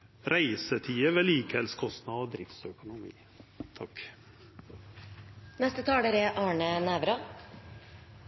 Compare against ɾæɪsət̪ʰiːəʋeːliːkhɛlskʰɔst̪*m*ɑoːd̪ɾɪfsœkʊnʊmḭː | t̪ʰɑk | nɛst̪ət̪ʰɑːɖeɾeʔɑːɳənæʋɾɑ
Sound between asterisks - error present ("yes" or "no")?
yes